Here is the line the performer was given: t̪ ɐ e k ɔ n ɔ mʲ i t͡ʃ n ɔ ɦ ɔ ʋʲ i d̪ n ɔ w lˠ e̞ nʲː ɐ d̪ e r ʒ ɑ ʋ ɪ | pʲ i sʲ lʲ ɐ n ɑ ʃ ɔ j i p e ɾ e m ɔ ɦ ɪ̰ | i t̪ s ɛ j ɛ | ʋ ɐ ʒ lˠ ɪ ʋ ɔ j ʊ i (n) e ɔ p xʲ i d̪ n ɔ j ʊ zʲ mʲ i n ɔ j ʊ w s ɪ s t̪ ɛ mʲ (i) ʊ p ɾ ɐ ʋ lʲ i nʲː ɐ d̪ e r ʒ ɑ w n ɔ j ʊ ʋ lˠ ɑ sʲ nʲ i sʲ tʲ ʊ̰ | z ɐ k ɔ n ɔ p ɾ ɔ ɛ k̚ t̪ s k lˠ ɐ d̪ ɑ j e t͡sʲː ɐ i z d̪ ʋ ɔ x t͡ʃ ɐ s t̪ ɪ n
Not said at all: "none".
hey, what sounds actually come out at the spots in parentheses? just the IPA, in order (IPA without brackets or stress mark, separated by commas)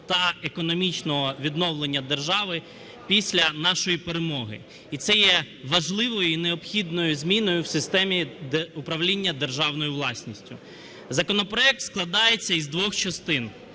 n, i